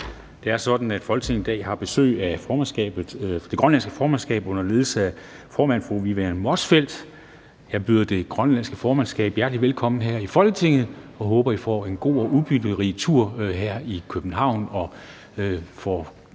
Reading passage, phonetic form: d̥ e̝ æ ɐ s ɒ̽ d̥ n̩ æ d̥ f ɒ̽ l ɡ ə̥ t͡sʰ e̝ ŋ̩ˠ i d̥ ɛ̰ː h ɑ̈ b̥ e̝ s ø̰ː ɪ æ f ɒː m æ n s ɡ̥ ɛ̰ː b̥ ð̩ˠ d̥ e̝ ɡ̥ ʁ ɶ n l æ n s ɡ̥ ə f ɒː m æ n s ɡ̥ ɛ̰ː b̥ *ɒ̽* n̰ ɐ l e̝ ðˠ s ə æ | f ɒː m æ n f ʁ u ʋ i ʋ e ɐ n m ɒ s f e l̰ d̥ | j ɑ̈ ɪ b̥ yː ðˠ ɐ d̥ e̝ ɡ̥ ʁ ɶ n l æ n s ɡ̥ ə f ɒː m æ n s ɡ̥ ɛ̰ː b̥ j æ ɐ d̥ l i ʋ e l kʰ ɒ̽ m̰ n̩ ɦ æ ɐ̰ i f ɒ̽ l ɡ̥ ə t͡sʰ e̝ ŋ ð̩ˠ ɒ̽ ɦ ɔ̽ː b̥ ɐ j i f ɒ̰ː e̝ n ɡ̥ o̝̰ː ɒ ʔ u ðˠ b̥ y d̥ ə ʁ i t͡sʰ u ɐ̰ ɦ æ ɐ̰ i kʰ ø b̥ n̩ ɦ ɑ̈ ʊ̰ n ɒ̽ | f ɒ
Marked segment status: incorrect: ɔ̽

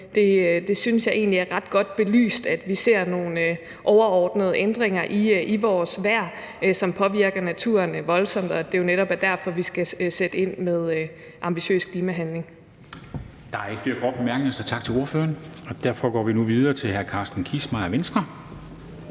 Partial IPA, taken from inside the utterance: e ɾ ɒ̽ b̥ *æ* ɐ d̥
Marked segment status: correct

